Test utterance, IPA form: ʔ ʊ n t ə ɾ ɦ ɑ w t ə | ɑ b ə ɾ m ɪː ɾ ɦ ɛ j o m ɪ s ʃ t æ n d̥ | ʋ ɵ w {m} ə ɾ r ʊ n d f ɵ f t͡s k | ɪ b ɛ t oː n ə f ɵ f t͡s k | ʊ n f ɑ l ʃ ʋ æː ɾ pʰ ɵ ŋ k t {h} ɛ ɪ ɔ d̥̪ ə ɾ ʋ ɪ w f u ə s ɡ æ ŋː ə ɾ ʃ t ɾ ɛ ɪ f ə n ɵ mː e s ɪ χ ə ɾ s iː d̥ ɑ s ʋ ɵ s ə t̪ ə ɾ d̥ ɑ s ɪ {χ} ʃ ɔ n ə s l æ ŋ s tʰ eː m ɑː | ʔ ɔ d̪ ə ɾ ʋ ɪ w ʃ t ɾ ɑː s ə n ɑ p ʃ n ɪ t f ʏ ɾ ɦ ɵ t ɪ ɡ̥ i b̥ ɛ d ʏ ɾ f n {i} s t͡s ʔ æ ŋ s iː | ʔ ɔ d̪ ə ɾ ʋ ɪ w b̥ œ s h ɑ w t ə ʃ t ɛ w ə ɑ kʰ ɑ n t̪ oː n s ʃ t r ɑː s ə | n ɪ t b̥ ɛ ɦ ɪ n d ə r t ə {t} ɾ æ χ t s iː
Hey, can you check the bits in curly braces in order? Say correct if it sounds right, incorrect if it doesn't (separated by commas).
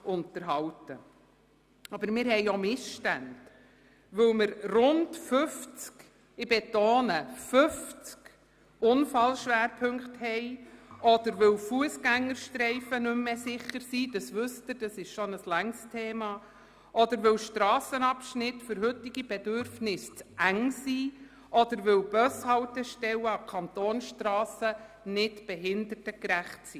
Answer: correct, correct, incorrect, incorrect, incorrect